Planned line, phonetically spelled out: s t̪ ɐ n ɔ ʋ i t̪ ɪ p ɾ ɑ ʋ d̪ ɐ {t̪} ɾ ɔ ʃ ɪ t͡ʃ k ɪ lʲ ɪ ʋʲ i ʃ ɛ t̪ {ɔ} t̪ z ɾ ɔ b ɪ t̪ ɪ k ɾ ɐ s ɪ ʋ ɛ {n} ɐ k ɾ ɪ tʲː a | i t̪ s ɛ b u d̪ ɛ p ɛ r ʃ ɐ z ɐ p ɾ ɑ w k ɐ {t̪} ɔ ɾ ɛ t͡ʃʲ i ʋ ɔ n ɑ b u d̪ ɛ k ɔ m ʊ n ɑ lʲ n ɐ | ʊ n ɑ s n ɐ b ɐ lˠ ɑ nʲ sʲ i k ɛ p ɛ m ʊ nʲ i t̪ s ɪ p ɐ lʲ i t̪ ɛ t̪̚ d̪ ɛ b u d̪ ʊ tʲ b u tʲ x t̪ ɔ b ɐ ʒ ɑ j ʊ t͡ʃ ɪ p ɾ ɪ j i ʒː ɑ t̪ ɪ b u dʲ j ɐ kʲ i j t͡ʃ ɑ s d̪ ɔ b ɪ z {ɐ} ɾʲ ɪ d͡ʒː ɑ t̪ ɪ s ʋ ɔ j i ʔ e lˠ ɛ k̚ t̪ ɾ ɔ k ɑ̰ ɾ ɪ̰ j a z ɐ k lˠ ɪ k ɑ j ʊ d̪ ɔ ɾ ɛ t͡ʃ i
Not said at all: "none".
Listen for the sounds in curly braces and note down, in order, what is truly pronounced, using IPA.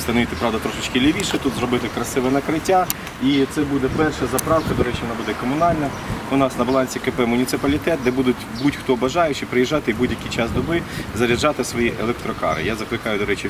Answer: t̪, u, n, d̪, ɐ

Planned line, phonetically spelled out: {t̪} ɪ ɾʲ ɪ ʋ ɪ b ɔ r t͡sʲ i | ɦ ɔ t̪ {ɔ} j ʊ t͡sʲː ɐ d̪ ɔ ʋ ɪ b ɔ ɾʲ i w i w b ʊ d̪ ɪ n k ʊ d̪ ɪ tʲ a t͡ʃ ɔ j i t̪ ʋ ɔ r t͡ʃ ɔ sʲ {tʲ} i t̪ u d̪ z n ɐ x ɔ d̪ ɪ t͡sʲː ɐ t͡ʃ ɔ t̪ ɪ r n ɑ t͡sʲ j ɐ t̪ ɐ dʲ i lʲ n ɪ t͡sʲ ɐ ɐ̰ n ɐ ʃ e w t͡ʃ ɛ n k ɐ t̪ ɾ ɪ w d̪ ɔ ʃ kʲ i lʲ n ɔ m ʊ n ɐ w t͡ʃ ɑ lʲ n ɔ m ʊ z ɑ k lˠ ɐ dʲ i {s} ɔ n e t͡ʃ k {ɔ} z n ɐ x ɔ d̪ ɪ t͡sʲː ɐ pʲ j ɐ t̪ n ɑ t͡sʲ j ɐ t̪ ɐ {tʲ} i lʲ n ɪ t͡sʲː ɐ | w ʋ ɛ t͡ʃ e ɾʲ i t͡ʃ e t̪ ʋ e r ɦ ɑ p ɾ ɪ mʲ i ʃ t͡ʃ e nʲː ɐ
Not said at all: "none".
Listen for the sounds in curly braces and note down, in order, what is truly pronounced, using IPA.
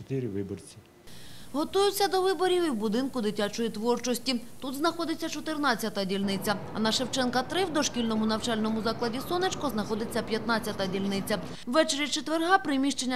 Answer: t̪, u, tʲ, s, ɔ, dʲ

